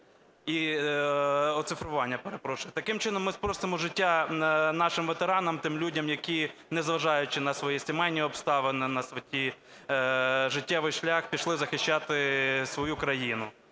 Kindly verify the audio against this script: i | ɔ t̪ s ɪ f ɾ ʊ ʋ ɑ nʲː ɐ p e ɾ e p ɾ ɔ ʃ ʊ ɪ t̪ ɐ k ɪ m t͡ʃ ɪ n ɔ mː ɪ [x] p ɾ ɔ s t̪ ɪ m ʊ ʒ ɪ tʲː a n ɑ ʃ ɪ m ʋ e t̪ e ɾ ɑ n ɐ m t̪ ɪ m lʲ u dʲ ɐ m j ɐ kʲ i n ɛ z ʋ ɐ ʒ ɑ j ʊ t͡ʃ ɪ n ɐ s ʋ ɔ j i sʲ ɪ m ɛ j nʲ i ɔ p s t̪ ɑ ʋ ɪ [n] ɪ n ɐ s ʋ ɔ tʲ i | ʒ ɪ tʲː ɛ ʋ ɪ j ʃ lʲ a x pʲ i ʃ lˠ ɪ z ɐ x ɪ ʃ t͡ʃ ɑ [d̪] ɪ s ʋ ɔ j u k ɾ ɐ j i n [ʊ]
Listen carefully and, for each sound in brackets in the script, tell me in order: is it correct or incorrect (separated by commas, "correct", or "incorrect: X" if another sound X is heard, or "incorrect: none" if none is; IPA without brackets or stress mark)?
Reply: incorrect: s, correct, incorrect: t̪, correct